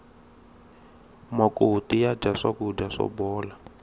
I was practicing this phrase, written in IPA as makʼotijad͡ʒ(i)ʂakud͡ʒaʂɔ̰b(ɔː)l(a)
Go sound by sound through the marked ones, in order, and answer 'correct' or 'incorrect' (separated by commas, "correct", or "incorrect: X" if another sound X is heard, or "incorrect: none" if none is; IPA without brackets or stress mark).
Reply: incorrect: a, correct, correct